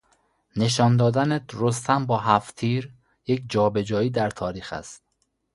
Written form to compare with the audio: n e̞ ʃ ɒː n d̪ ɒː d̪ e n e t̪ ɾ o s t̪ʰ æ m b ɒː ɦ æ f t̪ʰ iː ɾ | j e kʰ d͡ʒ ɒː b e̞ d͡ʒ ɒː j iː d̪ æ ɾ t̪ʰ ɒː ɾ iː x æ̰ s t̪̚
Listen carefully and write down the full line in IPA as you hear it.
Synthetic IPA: n e̞ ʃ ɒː n d̪ ɒː d̪ æ n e t̪ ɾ o s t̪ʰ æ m b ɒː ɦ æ f t̪ʰ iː ɾ | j e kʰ d͡ʒ ɒː b e̞ d͡ʒ ɒː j iː d̪ æ ɾ t̪ʰ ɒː ɾ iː x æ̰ s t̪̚